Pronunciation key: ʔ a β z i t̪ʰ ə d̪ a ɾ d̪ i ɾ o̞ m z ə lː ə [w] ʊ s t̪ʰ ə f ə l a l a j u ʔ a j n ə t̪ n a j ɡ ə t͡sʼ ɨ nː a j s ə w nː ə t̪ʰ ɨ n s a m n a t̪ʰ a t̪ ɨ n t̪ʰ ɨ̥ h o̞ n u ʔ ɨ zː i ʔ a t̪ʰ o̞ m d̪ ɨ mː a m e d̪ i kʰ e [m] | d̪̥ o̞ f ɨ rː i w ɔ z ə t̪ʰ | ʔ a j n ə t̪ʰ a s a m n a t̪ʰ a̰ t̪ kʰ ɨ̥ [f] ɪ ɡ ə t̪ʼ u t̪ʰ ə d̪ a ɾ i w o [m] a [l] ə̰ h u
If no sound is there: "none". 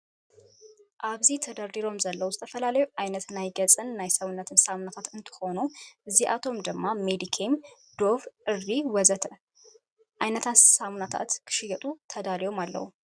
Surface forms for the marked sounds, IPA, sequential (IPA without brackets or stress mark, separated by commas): w, m, ʃ, m, lː